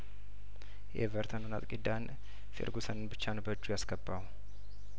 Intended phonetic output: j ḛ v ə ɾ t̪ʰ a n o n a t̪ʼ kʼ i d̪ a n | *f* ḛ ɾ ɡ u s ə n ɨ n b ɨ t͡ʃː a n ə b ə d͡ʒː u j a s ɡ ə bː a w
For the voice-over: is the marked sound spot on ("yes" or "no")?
yes